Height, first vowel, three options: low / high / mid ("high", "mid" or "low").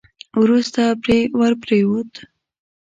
high